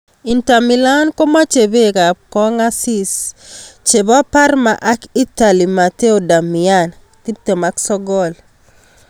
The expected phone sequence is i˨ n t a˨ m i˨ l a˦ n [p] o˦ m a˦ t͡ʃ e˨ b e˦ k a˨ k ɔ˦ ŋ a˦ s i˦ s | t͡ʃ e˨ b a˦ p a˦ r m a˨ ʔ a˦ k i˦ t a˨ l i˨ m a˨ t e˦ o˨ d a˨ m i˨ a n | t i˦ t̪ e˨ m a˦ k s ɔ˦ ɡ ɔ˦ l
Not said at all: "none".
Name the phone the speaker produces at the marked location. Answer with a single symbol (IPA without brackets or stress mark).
k